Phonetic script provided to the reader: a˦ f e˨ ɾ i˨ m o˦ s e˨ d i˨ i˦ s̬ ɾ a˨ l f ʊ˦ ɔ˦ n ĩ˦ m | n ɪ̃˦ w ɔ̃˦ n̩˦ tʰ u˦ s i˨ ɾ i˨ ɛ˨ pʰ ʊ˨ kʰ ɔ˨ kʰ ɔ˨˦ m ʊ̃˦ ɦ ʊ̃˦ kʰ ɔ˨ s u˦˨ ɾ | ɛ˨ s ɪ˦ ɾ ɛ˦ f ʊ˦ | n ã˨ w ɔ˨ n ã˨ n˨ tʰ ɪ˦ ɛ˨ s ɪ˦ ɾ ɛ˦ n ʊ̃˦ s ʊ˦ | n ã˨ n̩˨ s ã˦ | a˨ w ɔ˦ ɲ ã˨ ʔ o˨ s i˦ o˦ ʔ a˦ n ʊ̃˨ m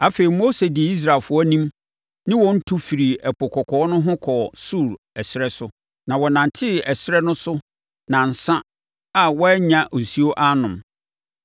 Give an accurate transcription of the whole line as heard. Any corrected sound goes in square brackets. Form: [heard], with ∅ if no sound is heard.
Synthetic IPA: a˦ f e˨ ɾ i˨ m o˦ s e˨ d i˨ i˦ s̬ ɾ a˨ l f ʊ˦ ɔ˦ n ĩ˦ m | n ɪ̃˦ w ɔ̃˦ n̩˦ tʰ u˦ [f] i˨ ɾ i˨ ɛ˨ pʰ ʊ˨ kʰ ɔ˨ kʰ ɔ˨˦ [n] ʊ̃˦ ɦ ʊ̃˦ kʰ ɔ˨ s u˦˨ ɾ | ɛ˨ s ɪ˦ ɾ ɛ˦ [s] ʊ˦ | n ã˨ w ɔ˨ n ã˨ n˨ tʰ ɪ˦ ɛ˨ s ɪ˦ ɾ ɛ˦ n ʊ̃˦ s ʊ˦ | n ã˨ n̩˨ s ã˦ | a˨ w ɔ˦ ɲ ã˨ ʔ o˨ s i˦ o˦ ʔ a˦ n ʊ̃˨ m